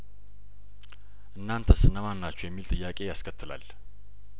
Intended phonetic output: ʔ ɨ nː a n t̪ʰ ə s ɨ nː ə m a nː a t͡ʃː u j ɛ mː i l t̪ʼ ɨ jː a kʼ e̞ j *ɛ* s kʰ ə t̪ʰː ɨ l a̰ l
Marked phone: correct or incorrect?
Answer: incorrect